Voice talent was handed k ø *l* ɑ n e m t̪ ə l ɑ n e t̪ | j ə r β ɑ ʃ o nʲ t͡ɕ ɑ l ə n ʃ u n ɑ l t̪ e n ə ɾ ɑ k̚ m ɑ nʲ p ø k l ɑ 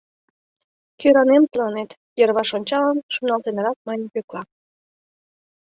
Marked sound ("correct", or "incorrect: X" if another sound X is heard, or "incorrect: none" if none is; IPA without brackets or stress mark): incorrect: ɾ